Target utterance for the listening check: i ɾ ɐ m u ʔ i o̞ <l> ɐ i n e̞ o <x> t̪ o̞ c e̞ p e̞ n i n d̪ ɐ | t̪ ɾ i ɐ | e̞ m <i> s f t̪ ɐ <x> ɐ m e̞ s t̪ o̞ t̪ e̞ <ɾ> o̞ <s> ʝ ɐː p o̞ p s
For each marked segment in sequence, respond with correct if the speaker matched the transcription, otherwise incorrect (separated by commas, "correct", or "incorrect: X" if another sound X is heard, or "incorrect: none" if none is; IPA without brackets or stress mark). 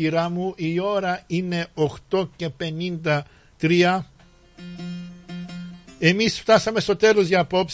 incorrect: ɾ, correct, correct, incorrect: s, incorrect: l, incorrect: z